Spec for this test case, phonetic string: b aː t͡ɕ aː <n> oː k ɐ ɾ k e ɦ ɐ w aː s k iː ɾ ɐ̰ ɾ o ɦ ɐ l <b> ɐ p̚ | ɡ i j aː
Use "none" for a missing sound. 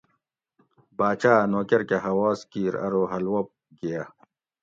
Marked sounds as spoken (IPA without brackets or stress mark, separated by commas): n, w